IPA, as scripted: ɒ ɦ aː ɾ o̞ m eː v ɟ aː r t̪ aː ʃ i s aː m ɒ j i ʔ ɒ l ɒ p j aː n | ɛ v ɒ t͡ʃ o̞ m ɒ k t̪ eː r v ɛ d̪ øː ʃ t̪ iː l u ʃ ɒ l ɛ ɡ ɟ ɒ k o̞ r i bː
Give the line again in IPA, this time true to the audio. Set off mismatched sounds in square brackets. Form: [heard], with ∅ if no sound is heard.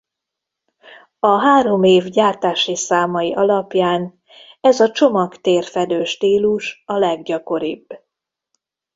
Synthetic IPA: ɒ ɦ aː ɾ o̞ m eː v ɟ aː r t̪ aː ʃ i s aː m ɒ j i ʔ ɒ l ɒ p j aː n | ɛ [z] ɒ t͡ʃ o̞ m ɒ k t̪ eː r [f] ɛ d̪ øː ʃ t̪ iː l u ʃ ɒ l ɛ ɡ ɟ ɒ k o̞ [ɾ] i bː